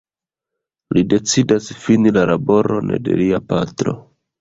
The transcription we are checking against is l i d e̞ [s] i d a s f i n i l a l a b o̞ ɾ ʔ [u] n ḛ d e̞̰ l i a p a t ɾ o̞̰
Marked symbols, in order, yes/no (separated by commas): no, no